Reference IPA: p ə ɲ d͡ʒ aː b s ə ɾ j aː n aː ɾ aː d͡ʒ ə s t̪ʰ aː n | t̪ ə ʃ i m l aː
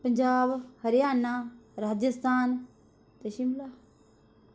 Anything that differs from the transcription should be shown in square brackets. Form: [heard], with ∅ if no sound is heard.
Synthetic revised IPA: p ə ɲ d͡ʒ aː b [h] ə ɾ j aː n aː ɾ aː d͡ʒ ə s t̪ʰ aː n | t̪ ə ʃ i m l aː